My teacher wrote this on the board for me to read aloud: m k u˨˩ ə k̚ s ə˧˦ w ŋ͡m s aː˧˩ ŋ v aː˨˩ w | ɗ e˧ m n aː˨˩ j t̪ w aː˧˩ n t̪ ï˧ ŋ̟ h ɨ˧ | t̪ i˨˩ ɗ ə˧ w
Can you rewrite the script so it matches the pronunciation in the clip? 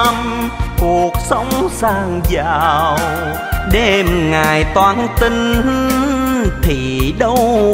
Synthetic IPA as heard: m k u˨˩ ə k̚ s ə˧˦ w ŋ͡m s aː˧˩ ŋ z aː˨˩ w | ɗ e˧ m ŋ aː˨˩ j t̪ w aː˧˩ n t̪ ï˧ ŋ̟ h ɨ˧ | t̪ʰ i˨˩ ɗ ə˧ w